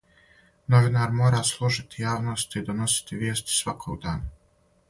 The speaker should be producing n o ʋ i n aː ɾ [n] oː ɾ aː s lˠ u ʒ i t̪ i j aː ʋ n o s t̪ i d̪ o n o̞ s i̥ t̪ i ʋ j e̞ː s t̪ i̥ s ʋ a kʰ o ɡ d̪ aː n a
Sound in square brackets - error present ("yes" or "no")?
yes